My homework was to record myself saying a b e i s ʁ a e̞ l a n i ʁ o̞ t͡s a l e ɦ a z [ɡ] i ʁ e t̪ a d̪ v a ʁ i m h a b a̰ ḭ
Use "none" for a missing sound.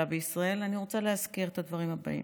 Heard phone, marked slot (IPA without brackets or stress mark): k